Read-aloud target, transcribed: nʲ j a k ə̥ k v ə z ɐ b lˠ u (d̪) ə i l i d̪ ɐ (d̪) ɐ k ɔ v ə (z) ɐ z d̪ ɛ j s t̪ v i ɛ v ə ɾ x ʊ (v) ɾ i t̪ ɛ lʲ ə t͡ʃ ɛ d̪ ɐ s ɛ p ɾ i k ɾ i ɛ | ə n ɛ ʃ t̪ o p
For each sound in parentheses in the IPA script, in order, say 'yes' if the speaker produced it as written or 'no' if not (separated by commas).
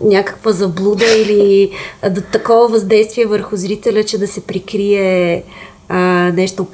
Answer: yes, no, no, no